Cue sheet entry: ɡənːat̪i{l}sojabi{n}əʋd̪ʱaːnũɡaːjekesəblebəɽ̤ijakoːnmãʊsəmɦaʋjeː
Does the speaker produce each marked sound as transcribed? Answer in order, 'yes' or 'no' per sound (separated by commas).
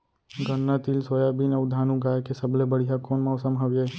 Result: yes, yes